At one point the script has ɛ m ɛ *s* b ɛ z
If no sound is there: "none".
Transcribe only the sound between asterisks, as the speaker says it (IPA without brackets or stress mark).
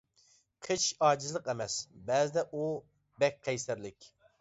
s